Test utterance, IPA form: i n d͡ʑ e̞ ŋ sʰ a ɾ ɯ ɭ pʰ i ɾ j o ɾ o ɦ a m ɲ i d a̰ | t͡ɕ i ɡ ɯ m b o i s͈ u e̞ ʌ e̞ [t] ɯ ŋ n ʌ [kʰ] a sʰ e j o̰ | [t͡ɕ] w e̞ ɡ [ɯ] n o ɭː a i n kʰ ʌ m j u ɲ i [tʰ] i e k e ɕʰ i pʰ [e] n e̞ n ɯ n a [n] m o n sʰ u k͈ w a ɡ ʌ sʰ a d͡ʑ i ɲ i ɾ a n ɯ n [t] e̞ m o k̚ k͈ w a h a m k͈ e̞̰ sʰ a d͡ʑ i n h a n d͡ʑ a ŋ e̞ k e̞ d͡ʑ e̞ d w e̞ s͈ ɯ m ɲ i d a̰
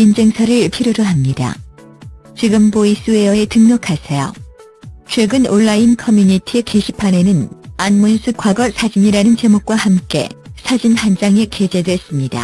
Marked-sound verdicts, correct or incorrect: correct, correct, incorrect: t͡ɕʰ, correct, correct, incorrect: a, correct, incorrect: t͡ɕ

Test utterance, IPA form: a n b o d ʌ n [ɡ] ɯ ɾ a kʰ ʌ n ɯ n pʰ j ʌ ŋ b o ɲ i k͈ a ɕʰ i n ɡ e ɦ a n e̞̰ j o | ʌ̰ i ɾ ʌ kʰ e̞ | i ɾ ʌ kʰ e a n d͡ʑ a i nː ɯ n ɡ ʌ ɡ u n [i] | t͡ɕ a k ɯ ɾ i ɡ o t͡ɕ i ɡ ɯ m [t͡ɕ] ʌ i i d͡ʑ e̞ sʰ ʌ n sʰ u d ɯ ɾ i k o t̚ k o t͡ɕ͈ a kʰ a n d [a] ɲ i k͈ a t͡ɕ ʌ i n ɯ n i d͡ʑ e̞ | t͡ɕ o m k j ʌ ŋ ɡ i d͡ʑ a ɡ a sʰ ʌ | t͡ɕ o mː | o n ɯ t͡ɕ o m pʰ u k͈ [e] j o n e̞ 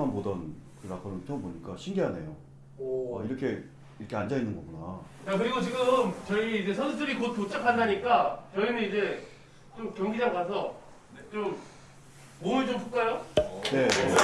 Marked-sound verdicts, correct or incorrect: incorrect: k, incorrect: a, correct, correct, incorrect: a

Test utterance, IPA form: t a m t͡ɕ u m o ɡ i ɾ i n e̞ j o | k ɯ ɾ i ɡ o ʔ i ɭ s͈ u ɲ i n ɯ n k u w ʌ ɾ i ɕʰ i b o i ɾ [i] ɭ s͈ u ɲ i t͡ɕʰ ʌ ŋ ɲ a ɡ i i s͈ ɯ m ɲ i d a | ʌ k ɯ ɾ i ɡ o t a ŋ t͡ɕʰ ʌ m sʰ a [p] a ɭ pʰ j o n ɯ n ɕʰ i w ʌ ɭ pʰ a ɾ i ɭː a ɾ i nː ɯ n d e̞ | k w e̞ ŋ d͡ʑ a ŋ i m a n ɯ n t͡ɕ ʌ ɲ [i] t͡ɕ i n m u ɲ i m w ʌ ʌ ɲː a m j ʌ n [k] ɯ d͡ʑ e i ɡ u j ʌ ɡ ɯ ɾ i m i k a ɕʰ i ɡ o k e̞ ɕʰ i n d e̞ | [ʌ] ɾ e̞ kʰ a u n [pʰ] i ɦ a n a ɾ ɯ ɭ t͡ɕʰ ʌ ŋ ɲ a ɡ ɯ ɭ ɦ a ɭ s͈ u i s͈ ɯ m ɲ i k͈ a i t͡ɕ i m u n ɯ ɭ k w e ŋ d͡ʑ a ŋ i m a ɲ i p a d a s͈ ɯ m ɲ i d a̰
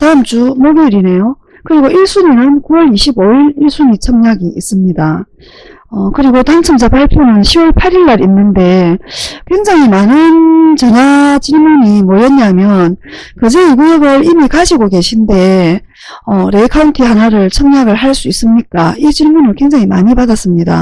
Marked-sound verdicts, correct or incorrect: correct, correct, incorrect: a, correct, correct, incorrect: tʰ

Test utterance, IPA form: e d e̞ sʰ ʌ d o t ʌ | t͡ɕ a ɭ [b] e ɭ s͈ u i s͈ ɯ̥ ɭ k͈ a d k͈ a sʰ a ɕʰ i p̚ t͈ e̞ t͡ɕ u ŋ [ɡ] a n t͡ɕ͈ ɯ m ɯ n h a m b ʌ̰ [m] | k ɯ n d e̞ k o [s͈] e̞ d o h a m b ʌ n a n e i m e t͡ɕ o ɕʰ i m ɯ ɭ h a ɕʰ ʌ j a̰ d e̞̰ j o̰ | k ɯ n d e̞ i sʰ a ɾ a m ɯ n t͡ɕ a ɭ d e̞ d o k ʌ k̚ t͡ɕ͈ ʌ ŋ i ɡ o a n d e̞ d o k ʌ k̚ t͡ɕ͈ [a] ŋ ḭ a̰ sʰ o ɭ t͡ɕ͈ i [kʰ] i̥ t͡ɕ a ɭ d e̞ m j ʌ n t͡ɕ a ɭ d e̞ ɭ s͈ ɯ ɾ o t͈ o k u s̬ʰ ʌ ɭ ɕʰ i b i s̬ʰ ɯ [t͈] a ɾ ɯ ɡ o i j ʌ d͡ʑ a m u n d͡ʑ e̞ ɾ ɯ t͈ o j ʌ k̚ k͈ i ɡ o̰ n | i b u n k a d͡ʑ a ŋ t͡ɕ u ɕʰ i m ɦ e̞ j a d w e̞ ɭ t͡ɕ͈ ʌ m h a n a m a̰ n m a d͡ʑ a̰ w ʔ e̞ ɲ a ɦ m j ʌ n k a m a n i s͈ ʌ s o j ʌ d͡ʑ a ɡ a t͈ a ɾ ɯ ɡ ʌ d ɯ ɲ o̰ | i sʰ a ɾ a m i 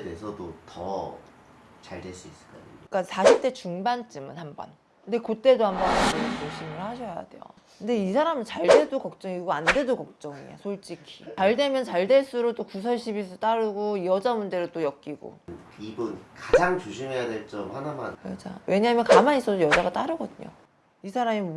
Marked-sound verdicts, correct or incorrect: incorrect: d, incorrect: b, incorrect: n, incorrect: t͈, incorrect: ʌ, correct, correct

